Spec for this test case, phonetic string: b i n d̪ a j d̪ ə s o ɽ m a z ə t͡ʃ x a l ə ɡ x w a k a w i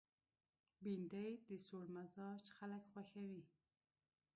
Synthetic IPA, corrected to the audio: b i n d̪ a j d̪ ə s o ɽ m a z ɑ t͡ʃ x a l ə k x w a x a w i